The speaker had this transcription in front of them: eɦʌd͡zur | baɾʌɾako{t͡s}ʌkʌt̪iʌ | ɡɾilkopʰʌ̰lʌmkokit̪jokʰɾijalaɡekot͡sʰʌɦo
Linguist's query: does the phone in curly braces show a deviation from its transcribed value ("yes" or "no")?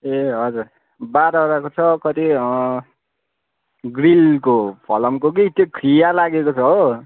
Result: yes